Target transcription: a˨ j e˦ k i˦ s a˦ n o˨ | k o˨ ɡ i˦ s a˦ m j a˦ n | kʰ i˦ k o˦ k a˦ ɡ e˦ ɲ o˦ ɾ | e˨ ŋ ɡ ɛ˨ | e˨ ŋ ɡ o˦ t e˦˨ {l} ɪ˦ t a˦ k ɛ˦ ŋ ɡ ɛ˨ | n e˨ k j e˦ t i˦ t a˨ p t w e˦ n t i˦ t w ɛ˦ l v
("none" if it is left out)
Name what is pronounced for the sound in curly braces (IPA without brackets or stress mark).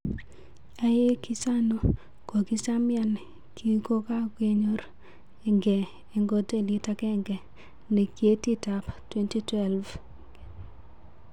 l